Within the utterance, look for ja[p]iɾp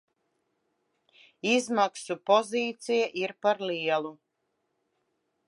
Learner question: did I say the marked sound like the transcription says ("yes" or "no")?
no